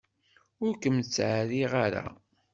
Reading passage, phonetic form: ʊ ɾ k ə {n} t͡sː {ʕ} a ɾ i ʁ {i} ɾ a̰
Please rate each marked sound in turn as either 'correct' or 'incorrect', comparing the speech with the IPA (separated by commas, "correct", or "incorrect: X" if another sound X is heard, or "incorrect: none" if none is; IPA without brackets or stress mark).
incorrect: m, correct, incorrect: a